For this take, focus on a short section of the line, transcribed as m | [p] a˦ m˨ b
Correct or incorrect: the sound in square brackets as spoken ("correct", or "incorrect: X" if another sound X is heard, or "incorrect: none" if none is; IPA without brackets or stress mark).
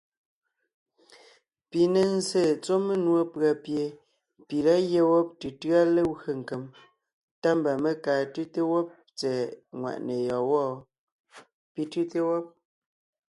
incorrect: t